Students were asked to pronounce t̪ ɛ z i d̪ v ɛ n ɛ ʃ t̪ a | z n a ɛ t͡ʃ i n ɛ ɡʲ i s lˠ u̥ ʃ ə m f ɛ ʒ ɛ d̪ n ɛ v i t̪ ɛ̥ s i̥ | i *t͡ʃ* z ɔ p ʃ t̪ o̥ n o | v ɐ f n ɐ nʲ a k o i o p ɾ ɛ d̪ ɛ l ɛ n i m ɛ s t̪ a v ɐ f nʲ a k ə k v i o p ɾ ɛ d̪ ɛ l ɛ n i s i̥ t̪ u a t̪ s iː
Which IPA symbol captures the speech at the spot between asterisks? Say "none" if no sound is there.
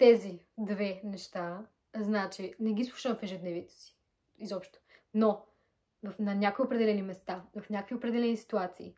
none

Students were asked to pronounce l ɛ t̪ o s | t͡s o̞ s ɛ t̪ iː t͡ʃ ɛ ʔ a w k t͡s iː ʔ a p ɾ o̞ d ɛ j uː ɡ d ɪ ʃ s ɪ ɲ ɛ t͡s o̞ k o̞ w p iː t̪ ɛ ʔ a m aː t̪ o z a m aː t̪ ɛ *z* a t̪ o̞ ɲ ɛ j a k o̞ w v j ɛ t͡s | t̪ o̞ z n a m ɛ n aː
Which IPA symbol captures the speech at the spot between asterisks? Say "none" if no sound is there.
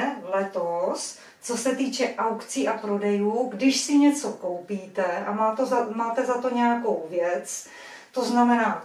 z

